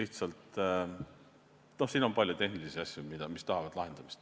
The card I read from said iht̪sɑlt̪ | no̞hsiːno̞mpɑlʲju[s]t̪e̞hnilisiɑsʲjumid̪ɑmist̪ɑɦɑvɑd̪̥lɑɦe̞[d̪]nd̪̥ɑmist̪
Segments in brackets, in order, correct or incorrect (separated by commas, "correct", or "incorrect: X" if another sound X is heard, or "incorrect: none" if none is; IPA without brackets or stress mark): incorrect: none, incorrect: none